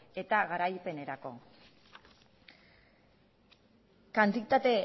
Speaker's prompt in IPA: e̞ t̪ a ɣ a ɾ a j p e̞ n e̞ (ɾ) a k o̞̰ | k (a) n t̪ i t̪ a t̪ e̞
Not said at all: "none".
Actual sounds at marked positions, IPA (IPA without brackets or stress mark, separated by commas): ɾ, a